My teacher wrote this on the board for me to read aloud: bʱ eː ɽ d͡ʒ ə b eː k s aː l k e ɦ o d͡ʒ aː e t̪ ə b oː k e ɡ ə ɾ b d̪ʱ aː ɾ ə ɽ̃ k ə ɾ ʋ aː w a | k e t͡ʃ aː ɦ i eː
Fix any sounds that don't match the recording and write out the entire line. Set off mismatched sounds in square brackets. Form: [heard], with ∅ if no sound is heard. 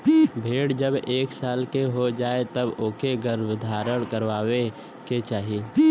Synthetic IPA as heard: bʱ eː ɽ d͡ʒ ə b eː k s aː l k e ɦ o d͡ʒ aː e t̪ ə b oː k e ɡ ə ɾ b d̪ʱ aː ɾ ə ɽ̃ k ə ɾ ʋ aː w [e] | k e t͡ʃ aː ɦ i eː